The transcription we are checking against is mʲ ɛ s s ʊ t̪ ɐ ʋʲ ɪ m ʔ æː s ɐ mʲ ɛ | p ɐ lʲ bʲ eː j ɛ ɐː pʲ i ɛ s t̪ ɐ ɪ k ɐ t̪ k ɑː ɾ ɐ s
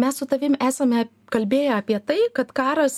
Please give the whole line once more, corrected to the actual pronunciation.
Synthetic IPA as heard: mʲ ɛ s s ʊ t̪ ɐ ʋʲ ɪ m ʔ æː s ɐ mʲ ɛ | k ɐ lʲ bʲ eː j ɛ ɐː pʲ i ɛ t̪ ɐ ɪ k ɐ t̪ k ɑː ɾ ɐ s